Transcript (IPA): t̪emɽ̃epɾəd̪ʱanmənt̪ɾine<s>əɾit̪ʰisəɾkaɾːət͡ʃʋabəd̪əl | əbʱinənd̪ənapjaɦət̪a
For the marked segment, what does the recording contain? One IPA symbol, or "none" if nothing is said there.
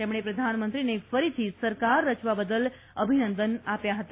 f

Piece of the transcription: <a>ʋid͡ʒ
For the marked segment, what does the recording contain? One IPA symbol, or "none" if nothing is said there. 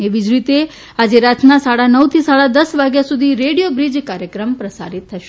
e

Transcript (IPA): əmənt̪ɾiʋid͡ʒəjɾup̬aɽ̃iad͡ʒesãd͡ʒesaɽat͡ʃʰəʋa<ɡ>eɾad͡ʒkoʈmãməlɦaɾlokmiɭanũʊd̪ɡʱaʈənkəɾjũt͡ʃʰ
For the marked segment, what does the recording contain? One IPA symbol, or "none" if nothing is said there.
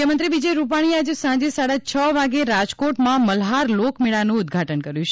ɡ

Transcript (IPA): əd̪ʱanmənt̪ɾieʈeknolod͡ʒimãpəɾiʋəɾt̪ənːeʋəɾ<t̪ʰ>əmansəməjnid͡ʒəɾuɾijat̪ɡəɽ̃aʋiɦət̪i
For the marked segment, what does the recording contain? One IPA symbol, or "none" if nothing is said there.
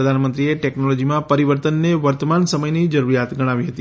t̪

